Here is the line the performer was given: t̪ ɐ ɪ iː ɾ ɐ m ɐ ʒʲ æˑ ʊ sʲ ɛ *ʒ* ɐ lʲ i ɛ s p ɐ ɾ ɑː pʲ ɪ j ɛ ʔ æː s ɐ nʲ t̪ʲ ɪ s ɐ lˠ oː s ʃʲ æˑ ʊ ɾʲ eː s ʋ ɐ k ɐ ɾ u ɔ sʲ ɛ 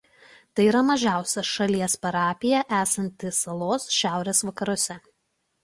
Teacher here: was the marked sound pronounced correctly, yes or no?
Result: no